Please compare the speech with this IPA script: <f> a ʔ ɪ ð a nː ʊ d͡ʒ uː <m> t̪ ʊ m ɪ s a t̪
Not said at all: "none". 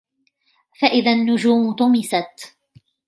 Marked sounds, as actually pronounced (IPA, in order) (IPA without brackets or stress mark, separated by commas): f, m